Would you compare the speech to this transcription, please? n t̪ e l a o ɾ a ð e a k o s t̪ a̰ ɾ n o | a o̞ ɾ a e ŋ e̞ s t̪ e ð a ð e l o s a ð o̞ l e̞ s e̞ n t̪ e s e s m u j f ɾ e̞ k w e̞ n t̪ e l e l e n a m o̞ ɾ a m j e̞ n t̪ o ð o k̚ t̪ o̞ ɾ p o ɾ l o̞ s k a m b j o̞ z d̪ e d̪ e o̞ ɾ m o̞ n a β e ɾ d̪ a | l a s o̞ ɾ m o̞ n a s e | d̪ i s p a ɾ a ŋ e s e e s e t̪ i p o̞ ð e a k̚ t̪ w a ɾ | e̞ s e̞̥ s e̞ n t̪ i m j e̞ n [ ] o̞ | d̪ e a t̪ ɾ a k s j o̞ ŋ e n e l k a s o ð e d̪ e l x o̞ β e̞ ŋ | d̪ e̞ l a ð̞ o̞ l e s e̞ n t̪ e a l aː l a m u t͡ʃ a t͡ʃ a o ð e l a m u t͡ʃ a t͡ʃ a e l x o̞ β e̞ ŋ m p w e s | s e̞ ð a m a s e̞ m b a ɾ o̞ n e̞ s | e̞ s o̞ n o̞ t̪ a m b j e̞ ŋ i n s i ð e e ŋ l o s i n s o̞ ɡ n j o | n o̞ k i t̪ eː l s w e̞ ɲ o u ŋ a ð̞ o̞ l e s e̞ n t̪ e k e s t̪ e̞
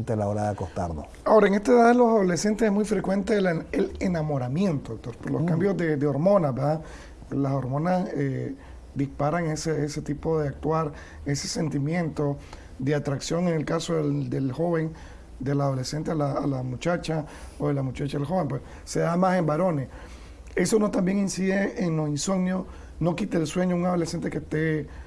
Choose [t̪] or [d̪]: t̪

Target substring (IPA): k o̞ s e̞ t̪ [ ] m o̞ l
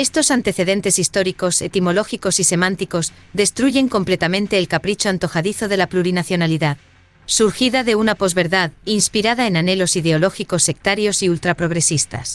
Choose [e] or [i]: i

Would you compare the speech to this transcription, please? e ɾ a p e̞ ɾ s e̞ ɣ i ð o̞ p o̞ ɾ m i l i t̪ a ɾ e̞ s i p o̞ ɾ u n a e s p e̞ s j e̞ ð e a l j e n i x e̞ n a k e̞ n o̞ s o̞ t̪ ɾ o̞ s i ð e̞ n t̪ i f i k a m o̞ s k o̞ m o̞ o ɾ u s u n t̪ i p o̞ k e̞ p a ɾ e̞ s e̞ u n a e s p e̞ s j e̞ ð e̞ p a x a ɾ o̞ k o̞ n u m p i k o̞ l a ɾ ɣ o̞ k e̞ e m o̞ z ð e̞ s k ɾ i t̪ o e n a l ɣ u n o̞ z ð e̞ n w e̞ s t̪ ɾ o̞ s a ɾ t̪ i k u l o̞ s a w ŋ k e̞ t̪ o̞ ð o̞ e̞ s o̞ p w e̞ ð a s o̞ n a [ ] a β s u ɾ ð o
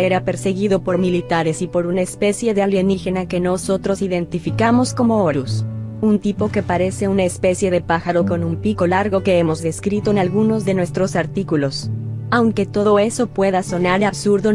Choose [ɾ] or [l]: ɾ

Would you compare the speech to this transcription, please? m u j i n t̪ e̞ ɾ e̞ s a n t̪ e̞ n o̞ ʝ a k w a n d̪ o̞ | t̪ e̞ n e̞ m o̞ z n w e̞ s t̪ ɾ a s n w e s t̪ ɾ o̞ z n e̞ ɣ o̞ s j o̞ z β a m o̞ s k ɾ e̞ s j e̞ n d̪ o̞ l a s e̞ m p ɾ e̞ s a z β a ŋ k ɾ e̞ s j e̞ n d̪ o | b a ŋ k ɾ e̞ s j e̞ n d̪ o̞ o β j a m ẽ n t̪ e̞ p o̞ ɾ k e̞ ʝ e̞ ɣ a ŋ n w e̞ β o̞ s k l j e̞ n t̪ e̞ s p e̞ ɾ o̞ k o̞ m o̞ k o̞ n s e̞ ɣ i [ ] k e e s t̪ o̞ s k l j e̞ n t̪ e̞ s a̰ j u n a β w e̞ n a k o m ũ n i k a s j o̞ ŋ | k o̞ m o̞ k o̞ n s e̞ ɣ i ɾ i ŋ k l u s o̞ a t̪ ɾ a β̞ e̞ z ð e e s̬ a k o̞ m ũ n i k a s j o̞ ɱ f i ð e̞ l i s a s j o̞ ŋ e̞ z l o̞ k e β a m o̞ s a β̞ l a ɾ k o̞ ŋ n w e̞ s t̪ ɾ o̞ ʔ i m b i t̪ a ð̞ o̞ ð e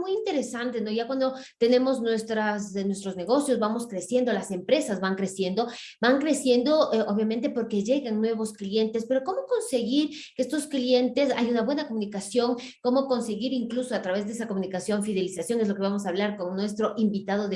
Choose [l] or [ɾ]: ɾ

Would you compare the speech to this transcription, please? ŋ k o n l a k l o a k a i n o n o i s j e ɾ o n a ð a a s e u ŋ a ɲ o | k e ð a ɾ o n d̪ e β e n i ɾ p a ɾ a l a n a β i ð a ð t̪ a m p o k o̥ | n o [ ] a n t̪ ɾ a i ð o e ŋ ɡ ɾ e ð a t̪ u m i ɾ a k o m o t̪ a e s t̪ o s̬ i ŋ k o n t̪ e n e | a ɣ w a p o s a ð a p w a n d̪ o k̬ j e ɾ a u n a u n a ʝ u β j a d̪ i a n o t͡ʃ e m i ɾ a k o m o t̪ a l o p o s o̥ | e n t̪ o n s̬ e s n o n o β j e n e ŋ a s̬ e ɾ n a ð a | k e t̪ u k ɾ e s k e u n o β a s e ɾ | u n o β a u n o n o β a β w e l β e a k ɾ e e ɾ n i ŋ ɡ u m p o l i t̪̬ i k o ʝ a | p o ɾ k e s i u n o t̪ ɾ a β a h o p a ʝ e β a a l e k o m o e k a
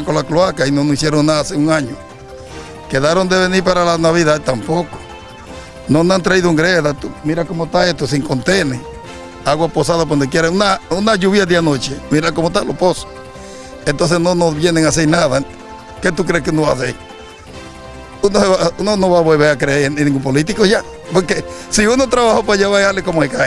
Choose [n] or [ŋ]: n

